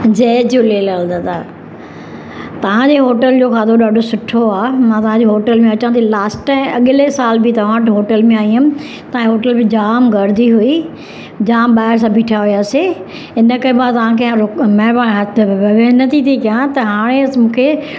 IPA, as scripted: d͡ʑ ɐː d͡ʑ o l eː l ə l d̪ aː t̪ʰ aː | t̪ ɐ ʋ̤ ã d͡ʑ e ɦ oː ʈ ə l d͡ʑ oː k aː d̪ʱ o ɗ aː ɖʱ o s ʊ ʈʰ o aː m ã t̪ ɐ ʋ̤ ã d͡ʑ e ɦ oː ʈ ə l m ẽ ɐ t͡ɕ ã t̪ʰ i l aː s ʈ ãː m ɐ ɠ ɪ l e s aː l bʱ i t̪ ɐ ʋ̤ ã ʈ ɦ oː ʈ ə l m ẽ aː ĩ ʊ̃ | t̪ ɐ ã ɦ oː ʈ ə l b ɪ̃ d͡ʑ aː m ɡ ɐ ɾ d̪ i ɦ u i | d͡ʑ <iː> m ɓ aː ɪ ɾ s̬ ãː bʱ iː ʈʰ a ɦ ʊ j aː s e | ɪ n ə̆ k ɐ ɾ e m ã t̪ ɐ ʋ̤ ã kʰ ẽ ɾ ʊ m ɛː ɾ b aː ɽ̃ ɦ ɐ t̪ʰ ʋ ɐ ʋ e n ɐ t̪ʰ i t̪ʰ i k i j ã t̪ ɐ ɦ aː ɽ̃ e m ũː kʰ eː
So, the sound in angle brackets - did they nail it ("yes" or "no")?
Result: no